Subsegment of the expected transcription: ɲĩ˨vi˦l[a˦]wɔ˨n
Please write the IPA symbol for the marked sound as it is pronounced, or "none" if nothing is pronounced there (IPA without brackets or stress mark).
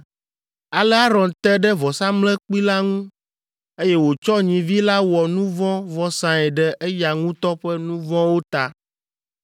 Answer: a˦